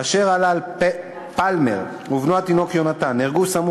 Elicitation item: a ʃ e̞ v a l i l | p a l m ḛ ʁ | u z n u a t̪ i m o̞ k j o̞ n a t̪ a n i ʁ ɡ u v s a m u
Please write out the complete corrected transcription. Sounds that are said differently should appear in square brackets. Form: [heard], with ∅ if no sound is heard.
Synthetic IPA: a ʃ e̞ [ʁ] a l [a] l | p a l m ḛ ʁ | u [v] n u a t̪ i [n] o̞ k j o̞ n a t̪ a n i ʁ ɡ u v s a m u